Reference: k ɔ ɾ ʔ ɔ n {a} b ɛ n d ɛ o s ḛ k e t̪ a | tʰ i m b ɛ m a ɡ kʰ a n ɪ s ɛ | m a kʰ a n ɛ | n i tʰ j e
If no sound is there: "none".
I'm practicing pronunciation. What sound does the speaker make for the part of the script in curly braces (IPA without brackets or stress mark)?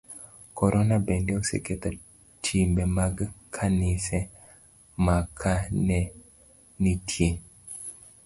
a